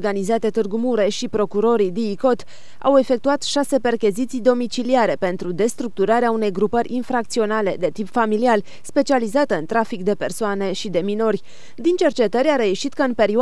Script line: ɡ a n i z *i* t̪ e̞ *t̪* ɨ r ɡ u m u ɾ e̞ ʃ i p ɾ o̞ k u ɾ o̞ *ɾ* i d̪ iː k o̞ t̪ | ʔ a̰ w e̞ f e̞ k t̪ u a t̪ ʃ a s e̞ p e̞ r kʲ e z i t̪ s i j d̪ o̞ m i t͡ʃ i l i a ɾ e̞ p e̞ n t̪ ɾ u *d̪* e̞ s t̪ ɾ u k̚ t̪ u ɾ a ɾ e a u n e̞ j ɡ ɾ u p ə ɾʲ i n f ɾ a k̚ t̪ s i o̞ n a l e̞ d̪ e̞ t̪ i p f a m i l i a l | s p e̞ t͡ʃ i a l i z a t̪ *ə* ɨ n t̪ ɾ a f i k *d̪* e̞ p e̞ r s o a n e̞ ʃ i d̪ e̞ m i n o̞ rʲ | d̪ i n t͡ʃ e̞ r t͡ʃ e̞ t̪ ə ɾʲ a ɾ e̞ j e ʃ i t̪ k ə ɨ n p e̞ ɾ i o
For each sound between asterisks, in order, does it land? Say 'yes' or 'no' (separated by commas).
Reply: no, yes, yes, yes, yes, yes